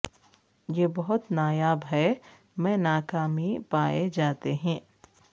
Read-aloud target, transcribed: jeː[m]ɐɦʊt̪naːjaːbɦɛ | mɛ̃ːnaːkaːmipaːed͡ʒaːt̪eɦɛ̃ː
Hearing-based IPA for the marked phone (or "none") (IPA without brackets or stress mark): b